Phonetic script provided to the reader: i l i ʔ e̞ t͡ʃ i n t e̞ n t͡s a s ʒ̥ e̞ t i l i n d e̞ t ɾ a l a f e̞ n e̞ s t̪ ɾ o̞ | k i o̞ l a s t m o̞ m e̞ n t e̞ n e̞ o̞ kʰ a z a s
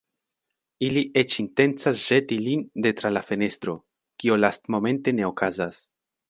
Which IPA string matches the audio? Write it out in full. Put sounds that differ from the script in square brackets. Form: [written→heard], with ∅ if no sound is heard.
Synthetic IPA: i l i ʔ e̞ t͡ʃ i n t e̞ n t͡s a s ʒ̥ e̞ t i l i n d e̞ t ɾ a l a f e̞ n e̞ s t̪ ɾ o̞ | k i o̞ l a s t m o̞ m e̞ n t e̞ n e̞ o̞ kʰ a z a s